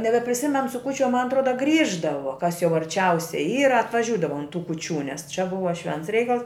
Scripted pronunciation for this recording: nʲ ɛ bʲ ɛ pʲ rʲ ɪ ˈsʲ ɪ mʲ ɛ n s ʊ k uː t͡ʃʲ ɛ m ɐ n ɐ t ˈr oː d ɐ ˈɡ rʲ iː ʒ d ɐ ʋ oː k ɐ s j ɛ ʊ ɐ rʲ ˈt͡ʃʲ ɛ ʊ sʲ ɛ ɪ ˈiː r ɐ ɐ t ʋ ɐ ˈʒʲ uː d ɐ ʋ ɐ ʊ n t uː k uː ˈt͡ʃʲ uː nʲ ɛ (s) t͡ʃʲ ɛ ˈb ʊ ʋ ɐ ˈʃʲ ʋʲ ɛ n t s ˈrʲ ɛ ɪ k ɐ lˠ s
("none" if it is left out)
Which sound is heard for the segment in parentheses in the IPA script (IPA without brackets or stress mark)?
s